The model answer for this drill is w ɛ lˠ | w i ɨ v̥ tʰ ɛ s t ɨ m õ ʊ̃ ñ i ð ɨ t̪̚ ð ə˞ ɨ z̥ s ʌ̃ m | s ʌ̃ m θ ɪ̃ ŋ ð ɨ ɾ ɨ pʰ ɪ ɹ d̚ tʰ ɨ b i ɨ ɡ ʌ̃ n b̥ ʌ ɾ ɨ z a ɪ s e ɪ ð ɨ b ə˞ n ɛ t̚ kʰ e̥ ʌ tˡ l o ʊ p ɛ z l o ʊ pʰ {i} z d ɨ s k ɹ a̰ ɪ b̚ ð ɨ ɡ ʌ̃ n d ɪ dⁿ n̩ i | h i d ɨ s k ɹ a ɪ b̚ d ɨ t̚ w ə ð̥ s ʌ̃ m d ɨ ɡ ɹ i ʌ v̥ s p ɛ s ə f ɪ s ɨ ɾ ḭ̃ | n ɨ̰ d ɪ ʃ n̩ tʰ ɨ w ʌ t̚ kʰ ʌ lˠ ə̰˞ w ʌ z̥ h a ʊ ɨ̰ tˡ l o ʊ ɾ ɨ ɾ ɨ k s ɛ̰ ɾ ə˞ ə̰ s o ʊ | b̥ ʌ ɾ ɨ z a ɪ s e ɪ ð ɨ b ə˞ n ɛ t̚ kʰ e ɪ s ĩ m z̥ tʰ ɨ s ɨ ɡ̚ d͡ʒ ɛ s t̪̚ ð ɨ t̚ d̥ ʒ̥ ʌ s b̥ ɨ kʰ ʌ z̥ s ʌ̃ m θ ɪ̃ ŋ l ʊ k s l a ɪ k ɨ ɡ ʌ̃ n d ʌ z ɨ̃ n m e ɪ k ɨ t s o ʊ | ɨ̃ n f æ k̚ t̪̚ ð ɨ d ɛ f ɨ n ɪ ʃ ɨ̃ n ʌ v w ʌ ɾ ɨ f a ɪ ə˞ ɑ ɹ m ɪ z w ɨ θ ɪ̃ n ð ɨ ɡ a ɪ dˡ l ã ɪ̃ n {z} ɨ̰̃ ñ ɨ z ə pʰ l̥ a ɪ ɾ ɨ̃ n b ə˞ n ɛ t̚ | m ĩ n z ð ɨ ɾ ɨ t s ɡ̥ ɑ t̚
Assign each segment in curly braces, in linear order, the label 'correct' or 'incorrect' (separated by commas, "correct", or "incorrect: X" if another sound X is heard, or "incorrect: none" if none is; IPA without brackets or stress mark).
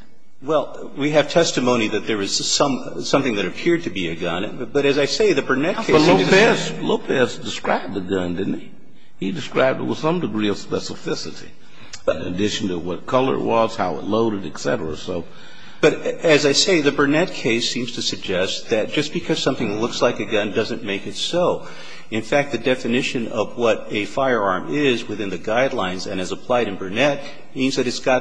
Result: incorrect: ɛ, correct